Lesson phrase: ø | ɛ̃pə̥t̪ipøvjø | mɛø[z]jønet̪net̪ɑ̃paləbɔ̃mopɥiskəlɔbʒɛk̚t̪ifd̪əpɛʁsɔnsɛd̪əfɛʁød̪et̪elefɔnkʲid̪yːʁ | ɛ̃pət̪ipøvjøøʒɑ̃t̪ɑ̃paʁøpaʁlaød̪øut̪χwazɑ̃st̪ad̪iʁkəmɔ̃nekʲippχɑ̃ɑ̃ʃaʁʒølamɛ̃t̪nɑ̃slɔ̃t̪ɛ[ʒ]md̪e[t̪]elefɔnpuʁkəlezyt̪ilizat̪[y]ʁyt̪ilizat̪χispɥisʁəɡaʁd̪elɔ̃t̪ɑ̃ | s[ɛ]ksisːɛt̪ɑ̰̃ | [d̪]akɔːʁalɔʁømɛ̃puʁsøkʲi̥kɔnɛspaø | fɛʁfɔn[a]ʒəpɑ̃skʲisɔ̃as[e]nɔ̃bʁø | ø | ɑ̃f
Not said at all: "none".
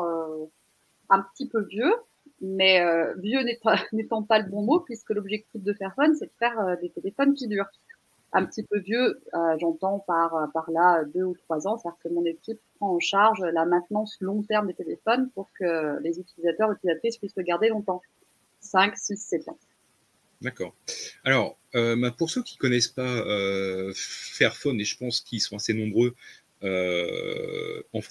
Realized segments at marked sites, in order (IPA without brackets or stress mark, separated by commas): v, ʁ, t̪, œ, ɛ̃, d̪, e, e